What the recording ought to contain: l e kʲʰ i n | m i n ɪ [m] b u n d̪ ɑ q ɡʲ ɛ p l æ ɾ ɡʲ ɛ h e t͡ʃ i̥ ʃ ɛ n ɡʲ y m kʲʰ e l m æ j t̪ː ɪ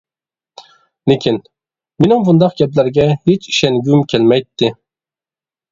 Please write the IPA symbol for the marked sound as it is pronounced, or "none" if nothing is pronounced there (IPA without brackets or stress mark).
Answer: m